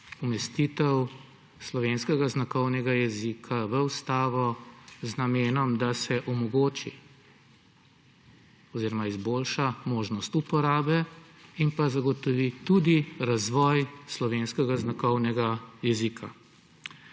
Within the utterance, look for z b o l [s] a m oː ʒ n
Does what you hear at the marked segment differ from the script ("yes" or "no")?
yes